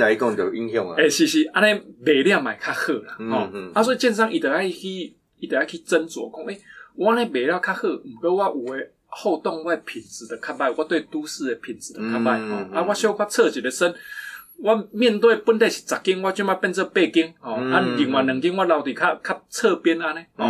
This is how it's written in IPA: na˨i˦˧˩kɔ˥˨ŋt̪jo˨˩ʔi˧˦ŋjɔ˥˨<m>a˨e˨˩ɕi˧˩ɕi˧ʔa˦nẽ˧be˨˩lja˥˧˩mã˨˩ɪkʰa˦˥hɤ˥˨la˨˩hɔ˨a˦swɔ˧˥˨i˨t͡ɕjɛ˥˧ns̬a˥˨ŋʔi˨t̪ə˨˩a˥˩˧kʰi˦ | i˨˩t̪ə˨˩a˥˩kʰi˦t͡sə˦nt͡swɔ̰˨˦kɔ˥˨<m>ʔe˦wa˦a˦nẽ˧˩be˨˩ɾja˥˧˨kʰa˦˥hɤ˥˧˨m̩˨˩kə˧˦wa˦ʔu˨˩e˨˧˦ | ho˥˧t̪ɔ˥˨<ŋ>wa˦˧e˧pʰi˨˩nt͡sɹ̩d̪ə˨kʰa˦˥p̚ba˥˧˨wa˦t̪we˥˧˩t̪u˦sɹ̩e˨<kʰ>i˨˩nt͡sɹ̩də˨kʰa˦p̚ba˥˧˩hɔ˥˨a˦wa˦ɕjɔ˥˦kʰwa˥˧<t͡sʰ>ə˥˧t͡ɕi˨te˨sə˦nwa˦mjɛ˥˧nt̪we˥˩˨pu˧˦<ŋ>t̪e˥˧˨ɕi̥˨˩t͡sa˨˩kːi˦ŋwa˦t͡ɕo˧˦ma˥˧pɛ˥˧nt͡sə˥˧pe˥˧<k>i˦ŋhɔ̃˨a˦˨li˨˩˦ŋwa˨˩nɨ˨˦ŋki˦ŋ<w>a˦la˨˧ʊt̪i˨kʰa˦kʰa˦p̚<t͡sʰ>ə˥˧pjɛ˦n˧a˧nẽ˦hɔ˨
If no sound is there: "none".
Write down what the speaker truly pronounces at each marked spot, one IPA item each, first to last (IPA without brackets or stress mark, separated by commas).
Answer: ŋ, ŋ, ŋ, pʰ, t͡sʰ, n, k, w, t͡sʰ